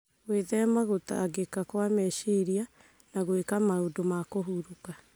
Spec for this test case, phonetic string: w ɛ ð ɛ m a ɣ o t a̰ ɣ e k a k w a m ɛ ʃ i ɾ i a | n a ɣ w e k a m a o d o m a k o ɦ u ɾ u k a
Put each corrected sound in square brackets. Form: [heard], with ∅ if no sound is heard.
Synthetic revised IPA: w [e] ð ɛ m a ɣ o t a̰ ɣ e k a k w a m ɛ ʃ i ɾ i a | n a ɣ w e k a m a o d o m a k o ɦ u ɾ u k a